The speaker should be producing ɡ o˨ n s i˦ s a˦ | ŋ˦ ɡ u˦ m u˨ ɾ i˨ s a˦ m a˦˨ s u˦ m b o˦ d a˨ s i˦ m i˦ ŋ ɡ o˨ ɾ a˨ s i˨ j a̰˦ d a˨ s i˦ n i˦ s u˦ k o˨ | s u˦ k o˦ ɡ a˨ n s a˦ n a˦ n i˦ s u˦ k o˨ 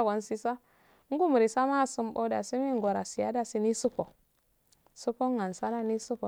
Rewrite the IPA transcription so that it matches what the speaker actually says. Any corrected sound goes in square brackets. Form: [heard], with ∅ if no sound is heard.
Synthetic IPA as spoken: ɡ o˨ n s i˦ s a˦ | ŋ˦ ɡ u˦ m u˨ ɾ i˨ s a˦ m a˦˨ s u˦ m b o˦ d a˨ s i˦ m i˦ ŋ ɡ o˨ ɾ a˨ s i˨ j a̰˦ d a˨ s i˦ n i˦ s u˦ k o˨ | s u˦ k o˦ [ŋ] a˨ n s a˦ n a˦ n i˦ s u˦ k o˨